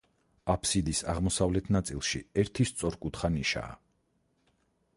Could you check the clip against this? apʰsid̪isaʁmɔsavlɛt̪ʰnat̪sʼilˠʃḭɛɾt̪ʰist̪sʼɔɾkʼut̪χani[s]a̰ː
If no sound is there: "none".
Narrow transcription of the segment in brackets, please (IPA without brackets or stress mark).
ʃ